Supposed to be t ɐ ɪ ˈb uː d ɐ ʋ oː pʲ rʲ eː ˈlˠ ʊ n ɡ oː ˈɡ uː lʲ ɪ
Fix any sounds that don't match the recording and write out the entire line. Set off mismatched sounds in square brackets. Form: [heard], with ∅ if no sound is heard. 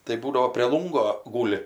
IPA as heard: t ɐ ɪ ˈb uː d ɐ ʋ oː pʲ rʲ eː ˈlˠ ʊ [ŋ] ɡ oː ˈɡ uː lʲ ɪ